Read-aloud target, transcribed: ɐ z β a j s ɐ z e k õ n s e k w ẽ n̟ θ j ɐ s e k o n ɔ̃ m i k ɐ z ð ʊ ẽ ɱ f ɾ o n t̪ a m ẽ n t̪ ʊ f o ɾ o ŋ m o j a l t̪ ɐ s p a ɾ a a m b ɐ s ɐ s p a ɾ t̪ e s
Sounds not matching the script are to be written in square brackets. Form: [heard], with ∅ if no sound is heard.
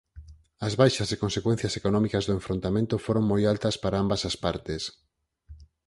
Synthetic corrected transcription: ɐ z β a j [ʃ] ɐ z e k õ n s e k w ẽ n̟ θ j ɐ s e k o n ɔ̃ m i k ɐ z ð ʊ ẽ ɱ f ɾ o n t̪ a m ẽ n t̪ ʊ f o ɾ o ŋ m o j a l t̪ ɐ s p a ɾ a a m b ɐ s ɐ s p a ɾ t̪ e s